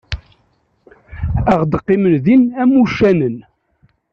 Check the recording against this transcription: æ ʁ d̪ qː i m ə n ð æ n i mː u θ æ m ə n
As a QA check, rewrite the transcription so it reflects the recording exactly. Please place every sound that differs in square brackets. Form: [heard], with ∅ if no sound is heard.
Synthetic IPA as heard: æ ʁ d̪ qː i m ə n ð [i] n [æ] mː u [ʃ] æ [n] ə n